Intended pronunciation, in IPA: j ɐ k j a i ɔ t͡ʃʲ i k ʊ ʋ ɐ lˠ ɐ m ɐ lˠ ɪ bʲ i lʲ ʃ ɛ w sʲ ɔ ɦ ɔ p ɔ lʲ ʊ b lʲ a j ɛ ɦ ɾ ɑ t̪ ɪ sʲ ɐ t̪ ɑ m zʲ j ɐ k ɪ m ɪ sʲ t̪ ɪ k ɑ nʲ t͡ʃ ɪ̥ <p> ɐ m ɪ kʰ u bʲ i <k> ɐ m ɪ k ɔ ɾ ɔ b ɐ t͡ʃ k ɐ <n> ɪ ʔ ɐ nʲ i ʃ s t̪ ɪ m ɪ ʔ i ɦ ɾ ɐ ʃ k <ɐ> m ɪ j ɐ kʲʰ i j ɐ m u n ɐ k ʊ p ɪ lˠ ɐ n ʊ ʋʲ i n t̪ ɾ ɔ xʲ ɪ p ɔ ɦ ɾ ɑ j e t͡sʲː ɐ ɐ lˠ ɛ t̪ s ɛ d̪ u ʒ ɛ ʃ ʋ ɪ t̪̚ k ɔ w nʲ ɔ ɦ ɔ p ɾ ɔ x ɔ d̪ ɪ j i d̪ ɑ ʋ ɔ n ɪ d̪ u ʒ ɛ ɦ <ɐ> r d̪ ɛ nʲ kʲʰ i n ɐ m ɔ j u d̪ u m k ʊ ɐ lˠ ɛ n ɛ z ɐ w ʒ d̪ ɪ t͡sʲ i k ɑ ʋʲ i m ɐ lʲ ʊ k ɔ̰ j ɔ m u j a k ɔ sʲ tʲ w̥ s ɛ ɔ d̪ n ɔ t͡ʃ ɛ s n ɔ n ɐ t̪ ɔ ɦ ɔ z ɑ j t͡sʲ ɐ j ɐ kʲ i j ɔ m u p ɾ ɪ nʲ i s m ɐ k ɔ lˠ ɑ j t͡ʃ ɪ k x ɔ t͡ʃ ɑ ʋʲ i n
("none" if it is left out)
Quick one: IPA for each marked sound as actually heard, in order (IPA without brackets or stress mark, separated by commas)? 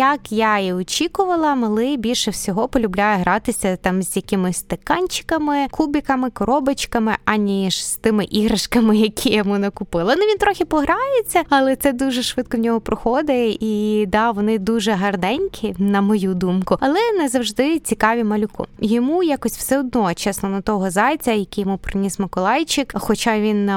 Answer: k, k, m, ɐ, ɐ